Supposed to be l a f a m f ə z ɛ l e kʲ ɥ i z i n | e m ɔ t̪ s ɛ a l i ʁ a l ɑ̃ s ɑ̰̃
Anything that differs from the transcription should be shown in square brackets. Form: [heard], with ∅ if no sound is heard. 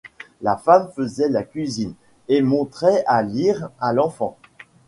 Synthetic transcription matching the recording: l a f a m f ə z ɛ l [a] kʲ ɥ i z i n | e m [ɔ̃] t̪ [χ] ɛ a l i ʁ a l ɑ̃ [f] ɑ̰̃